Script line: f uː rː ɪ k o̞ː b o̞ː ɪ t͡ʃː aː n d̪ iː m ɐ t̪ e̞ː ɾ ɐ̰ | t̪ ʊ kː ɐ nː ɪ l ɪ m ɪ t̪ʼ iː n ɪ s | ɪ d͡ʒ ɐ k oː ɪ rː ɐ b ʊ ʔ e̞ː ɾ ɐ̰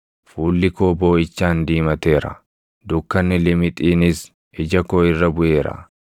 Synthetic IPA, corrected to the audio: f uː lː ɪ k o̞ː b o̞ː ɪ t͡ʃː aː n d̪ iː m ɐ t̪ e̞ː ɾ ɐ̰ | d̪ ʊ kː ɐ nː ɪ l ɪ m ɪ t̪ʼ iː n ɪ s | ɪ d͡ʒ ɐ k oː ɪ rː ɐ b ʊ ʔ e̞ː ɾ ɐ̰

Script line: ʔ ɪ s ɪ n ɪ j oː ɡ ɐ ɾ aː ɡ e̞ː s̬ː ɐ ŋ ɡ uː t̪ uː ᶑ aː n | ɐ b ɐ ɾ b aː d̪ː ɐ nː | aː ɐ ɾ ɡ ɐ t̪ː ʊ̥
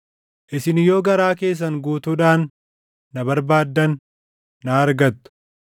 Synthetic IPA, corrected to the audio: ʔ ɪ s ɪ n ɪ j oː ɡ ɐ ɾ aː k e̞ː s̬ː ɐ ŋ ɡ uː t̪ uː ᶑ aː nː | ɐ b ɐ ɾ b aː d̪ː ɐ nː | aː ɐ ɾ ɡ ɐ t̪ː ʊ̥

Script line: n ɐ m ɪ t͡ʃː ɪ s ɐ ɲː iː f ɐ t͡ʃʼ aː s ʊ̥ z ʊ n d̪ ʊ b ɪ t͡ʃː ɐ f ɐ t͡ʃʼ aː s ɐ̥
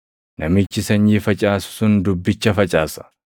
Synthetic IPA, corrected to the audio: n ɐ m ɪ t͡ʃː ɪ s ɐ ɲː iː f ɐ t͡ʃʼ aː s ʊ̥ s ʊ n d̪ ʊ bː ɪ t͡ʃː ɐ f ɐ t͡ʃʼ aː s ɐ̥

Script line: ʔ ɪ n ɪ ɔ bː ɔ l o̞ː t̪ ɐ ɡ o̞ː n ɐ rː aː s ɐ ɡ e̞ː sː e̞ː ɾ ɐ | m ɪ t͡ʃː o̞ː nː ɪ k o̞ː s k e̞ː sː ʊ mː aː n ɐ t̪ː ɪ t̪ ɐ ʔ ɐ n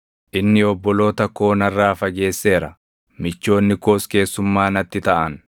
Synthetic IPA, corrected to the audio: ʔ ɪ nː ɪ ɔ bː ɔ l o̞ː t̪ ɐ k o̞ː n ɐ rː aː f ɐ ɡ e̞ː sː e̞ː ɾ ɐ | m ɪ t͡ʃː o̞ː nː ɪ k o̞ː s k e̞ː sː ʊ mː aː n ɐ t̪ː ɪ t̪ ɐ ʔ ɐ n

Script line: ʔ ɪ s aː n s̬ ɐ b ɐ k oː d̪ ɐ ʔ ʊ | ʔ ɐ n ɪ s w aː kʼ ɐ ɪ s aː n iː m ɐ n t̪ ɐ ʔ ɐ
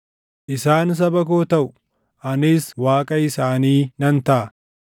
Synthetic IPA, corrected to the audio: ʔ ɪ s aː n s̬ ɐ b ɐ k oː t̪ ɐ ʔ ʊ | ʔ ɐ n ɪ s w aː kʼ ɐ ɪ s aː n iː n ɐ n t̪ ɐ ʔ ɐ

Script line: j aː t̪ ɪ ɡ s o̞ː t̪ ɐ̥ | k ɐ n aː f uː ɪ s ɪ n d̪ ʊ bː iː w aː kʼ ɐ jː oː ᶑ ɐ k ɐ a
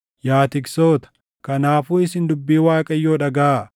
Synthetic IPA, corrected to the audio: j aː t̪ ɪ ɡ s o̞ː t̪ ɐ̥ | k ɐ n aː f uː ɪ s ɪ n d̪ ʊ bː iː w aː kʼ ɐ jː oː ᶑ ɐ ɡ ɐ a

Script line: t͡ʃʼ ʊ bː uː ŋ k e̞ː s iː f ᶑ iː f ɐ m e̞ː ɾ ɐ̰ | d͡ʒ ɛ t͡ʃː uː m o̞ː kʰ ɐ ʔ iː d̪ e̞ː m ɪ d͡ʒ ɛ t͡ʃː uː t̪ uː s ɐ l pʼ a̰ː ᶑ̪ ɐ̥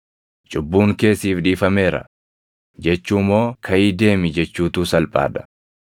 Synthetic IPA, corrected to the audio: t͡ʃʼ ʊ bː uː ŋ k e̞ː s iː f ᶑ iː f ɐ m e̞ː ɾ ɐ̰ | d͡ʒ ɛ t͡ʃː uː m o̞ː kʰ ɐ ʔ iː d̪ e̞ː m ɪ d͡ʒ ɛ t͡ʃː uː t̪ uː s ɐ l pʼ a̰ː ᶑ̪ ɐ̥

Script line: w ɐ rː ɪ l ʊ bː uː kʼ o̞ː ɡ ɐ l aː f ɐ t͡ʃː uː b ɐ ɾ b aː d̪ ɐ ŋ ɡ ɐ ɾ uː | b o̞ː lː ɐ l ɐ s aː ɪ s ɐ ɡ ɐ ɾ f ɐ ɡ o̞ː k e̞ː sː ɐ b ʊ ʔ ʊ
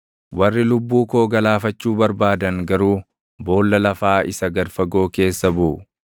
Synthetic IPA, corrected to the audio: w ɐ rː ɪ l ʊ bː uː k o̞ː ɡ ɐ l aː f ɐ t͡ʃː uː b ɐ ɾ b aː d̪ ɐ ŋ ɡ ɐ ɾ uː | b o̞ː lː ɐ l ɐ f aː ɪ s ɐ ɡ ɐ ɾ f ɐ ɡ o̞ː k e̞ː sː ɐ b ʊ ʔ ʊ

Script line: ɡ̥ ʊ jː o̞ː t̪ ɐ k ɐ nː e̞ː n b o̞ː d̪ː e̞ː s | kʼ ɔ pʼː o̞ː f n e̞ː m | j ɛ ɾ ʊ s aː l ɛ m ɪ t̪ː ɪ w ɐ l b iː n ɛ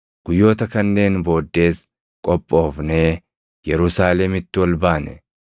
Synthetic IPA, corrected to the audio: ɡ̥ ʊ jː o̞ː t̪ ɐ k ɐ nː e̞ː n b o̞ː d̪ː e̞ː s | kʼ ɔ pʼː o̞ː f n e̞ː | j ɛ ɾ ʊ s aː l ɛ m ɪ t̪ː ɪ w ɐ l b aː n ɛ

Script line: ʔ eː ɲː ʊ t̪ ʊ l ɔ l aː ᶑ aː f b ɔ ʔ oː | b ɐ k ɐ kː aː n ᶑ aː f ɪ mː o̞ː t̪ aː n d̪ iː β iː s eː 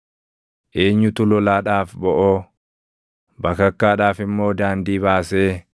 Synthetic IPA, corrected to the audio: ʔ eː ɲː ʊ t̪ ʊ l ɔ l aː ᶑ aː f b ɔ ʔ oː | b ɐ k ɐ kː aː ᶑ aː f ɪ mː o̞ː d̪ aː n d̪ iː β aː s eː

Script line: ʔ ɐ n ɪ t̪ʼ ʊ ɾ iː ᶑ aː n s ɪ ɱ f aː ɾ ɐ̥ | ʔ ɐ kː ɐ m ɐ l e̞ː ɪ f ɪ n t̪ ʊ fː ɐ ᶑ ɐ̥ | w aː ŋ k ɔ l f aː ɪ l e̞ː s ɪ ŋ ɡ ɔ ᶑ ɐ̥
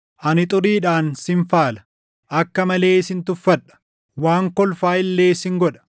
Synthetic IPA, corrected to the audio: ʔ ɐ n ɪ t̪ʼ ʊ ɾ iː ᶑ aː n s ɪ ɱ f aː l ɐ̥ | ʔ ɐ kː ɐ m ɐ l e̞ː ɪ s ɪ n t̪ ʊ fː ɐ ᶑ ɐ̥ | w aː ŋ k ɔ l f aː ɪ lː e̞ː s ɪ ŋ ɡ ɔ ᶑ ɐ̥

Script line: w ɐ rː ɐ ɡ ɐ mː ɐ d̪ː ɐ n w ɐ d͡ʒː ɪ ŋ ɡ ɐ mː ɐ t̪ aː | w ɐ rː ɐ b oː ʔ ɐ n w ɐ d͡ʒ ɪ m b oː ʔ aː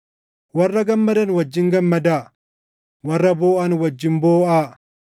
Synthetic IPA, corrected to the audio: w ɐ rː ɐ ɡ ɐ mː ɐ d̪ ɐ n w ɐ d͡ʒː ɪ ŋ ɡ ɐ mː ɐ d̪ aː | w ɐ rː ɐ b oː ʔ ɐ n w ɐ d͡ʒː ɪ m b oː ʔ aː

